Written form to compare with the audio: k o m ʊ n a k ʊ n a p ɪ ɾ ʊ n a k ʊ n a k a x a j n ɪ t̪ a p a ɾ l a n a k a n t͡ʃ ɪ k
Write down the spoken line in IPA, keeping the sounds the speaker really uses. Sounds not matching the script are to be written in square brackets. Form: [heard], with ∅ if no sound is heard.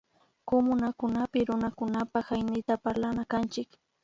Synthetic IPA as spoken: k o m ʊ n a k ʊ n a p ɪ ɾ ʊ n a k ʊ n a [p] a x a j n ɪ t̪ a p a ɾ l a n a k a n t͡ʃ ɪ k